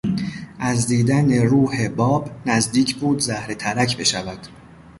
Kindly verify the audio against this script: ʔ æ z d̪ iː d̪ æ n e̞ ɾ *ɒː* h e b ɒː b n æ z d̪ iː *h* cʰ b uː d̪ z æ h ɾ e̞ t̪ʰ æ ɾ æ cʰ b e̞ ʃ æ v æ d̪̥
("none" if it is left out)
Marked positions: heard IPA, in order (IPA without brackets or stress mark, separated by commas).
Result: uː, none